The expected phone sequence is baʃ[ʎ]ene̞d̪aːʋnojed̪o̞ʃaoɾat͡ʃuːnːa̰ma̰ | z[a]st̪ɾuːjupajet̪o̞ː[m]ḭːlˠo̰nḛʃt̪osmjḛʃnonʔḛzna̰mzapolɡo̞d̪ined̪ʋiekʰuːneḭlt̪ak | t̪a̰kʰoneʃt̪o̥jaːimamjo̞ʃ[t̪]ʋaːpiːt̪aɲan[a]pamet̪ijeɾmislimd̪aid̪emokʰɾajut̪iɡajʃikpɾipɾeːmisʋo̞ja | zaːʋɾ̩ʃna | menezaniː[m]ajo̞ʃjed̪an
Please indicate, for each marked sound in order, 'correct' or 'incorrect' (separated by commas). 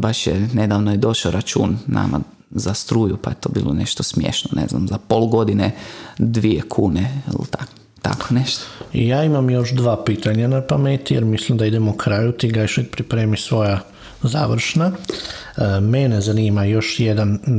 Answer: incorrect, correct, incorrect, incorrect, correct, correct